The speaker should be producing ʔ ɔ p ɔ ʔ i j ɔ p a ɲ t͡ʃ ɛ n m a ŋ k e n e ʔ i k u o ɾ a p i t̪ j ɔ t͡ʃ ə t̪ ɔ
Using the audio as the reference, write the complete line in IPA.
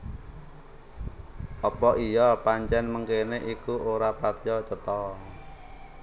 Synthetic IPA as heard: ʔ ɔ p ɔ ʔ i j ɔ p a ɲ t͡ʃ ɛ n m ə ŋ k e n e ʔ i k u o ɾ a p a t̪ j ɔ t͡ʃ ə t̪ ɔ